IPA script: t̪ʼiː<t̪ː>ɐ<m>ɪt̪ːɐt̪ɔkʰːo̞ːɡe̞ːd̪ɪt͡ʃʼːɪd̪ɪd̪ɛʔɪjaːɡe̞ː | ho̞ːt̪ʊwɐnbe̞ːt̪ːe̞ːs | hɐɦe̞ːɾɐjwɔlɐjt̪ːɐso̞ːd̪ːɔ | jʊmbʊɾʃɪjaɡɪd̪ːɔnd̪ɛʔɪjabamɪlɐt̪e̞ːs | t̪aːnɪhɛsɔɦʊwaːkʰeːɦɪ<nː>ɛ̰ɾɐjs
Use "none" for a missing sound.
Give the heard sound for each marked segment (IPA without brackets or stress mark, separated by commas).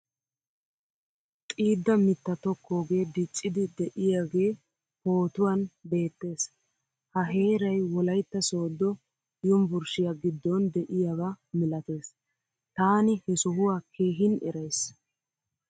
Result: d̪ː, m, n